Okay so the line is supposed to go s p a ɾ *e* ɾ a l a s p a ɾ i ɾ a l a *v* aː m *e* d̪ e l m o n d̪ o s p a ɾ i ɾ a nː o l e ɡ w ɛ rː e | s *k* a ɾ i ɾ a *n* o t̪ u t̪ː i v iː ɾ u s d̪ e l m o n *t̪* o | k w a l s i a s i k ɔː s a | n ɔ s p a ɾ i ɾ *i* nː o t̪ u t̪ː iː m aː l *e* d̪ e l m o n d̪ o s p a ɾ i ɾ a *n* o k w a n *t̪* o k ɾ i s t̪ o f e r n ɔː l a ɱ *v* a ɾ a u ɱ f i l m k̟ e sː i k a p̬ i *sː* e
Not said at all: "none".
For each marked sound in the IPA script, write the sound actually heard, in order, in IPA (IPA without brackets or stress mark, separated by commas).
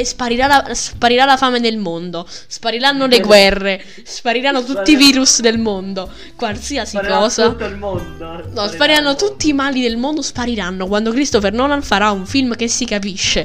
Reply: i, f, e, p, nː, d̪, a, i, nː, d̪, f, ʃː